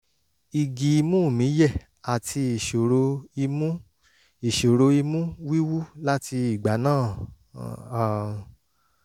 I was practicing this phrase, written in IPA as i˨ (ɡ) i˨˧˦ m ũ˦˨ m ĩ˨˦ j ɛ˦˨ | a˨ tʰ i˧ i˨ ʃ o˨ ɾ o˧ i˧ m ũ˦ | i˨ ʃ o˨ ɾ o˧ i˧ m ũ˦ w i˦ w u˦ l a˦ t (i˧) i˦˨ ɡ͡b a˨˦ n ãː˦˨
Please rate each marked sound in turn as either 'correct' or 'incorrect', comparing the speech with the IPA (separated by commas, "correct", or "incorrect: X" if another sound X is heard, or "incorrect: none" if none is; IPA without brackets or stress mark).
correct, correct